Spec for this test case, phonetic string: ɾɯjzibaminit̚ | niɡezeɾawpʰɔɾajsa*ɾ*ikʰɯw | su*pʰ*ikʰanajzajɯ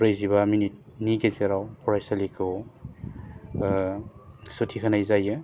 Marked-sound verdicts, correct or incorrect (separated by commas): incorrect, incorrect